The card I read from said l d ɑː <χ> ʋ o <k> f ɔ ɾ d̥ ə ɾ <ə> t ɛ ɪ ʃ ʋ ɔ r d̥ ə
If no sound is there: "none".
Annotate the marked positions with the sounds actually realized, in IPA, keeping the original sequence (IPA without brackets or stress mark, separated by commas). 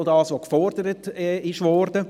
s, k, ə